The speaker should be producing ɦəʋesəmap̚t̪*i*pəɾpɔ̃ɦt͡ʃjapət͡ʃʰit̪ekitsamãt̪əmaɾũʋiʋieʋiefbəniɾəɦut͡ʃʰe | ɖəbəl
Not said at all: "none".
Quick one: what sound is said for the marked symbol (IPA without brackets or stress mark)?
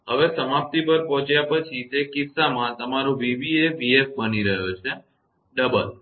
i